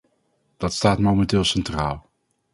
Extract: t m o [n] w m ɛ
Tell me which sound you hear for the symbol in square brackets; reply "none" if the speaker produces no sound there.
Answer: none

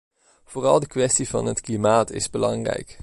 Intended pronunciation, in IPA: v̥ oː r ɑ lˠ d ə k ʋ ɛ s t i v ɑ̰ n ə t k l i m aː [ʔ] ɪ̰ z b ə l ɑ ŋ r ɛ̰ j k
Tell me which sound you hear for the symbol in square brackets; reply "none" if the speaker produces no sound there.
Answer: t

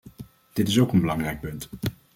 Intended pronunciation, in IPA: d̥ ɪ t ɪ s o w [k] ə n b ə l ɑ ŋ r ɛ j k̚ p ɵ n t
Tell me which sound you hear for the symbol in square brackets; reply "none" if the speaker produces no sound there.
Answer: k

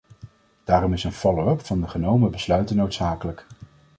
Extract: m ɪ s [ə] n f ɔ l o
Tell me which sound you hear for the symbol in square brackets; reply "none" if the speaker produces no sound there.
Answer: ə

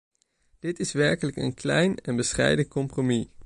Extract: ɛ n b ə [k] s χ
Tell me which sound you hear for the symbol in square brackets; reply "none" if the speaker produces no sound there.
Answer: none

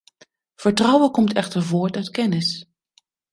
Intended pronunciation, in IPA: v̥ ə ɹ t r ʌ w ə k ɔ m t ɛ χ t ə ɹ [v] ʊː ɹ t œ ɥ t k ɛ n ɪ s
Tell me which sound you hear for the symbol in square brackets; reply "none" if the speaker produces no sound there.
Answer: v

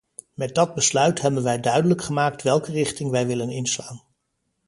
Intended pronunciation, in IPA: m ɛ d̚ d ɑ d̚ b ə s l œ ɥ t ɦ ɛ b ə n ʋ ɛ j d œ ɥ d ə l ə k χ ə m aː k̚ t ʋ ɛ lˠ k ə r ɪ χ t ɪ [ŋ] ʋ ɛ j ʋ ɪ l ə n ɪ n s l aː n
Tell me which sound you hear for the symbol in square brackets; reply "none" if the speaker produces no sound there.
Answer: ŋ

